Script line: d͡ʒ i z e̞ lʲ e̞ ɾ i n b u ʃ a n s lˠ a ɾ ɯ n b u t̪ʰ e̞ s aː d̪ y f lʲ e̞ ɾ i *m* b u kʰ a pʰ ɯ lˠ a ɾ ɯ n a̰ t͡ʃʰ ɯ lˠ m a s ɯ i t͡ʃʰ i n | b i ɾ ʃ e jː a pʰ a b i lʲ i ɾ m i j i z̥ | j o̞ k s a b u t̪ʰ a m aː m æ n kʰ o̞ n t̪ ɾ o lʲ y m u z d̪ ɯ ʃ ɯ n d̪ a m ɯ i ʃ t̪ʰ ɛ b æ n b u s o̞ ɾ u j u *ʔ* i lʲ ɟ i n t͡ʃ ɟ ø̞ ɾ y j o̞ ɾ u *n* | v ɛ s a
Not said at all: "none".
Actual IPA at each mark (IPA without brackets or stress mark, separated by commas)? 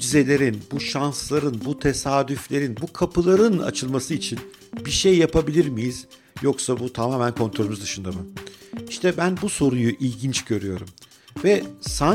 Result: n, ʔ, m